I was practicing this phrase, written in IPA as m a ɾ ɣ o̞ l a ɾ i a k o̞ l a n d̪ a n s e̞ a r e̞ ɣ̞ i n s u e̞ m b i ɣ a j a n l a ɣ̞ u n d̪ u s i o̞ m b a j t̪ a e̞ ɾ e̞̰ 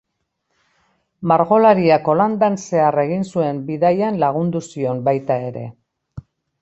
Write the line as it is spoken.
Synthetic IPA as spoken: m a ɾ ɣ o̞ l a ɾ i a k o̞ l a n d̪ a n s e̞ a r e̞ ɣ̞ i n s u e̞ m b i ð a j a n l a ɣ̞ u n d̪ u s i o̞ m b a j t̪ a e̞ ɾ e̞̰